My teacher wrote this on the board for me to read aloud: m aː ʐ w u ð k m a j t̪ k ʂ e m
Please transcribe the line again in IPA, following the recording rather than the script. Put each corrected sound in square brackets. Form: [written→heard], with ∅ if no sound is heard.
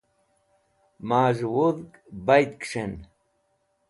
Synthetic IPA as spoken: m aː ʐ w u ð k [m→b] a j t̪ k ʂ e [m→n]